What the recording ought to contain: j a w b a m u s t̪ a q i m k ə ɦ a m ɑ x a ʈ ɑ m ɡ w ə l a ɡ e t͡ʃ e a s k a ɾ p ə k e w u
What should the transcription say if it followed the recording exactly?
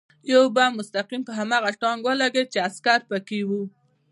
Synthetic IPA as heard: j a w b a m ʊ s t̪ a q i m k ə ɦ a m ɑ ɣ a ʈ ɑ ŋ ɡ w ə l a ɡ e t͡ʃ e a s k a ɾ p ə k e w u